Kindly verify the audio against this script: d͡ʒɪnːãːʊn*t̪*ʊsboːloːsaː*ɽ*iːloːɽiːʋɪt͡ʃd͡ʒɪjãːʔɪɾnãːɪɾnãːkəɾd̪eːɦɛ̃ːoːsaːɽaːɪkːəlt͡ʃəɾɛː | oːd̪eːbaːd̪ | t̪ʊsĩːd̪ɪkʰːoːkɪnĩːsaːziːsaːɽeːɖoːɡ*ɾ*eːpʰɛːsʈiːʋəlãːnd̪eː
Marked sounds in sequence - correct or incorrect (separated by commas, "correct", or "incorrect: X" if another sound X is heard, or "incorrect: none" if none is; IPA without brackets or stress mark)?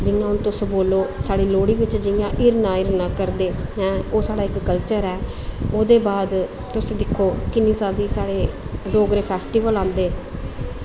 correct, correct, correct